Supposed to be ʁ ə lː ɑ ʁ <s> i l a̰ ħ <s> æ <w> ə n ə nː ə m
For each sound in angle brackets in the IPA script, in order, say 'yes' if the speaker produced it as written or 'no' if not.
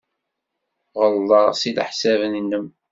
yes, yes, no

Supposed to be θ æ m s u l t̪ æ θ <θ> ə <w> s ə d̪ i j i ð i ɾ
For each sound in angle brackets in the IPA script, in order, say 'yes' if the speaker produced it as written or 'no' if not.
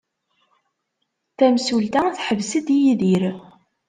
no, no

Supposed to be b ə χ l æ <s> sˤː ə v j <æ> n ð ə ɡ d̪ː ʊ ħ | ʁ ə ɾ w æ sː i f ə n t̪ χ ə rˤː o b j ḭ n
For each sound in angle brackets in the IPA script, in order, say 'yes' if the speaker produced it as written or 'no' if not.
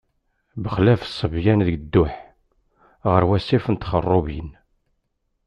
no, yes

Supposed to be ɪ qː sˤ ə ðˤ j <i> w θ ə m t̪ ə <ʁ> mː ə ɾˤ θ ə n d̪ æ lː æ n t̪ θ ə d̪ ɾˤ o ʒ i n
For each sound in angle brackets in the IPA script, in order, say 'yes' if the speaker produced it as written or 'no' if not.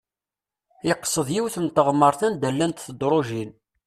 yes, yes

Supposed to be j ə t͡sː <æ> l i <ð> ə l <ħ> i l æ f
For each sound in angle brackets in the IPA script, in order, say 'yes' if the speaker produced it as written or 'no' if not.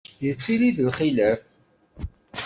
no, yes, no

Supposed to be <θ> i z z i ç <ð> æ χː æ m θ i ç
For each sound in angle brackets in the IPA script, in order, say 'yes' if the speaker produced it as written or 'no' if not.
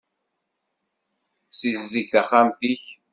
no, no

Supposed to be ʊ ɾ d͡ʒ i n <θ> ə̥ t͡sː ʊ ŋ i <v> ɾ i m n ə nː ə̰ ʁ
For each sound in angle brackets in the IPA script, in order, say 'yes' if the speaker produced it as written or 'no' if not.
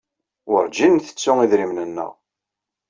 yes, no

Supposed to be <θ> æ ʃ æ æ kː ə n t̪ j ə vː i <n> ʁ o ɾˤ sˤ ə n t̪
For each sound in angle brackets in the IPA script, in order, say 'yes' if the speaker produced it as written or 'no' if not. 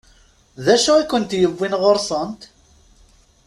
no, yes

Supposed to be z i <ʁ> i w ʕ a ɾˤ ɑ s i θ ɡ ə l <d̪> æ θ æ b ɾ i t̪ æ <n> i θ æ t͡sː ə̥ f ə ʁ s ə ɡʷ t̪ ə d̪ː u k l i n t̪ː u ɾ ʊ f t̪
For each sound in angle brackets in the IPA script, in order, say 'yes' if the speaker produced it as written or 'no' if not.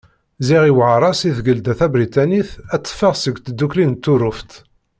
yes, yes, yes

